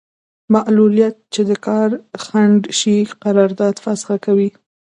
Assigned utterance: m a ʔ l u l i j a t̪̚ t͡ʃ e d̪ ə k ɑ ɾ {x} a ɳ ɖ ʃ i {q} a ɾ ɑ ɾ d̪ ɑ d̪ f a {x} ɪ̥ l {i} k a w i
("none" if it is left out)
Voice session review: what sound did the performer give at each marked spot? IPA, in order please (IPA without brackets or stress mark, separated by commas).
x, q, s, a